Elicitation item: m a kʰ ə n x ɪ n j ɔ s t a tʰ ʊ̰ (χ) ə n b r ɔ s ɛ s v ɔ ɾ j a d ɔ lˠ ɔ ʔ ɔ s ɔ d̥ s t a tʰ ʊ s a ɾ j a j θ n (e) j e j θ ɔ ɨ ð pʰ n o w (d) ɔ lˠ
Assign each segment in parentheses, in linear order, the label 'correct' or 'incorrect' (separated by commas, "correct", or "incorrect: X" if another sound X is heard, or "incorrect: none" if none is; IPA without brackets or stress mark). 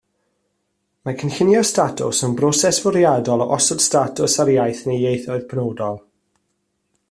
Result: incorrect: s, correct, correct